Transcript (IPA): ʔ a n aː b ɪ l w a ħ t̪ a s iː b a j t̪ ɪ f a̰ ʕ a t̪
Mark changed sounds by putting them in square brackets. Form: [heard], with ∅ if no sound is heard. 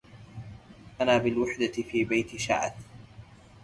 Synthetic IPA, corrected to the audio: ʔ a n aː b ɪ l w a ħ [d̪] a [f] iː b a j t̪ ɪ [ʃ] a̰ ʕ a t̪

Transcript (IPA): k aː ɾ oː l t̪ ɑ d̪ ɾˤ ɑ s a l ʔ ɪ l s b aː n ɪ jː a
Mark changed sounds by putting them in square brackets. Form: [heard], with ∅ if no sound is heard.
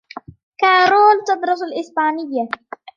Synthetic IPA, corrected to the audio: k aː ɾ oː l t̪ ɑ d̪ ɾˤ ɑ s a l ʔ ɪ [∅] s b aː n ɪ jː a

